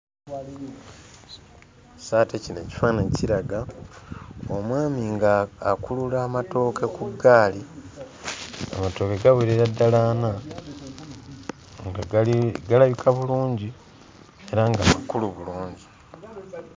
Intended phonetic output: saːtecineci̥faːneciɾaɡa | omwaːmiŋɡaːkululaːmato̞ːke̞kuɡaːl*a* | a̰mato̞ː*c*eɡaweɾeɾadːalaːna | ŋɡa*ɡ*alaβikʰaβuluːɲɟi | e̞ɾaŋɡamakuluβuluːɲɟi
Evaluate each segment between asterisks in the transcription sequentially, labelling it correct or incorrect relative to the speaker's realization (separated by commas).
incorrect, incorrect, correct